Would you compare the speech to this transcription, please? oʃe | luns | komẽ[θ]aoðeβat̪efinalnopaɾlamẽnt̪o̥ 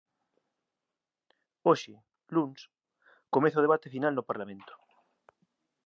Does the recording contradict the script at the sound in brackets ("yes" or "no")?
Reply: no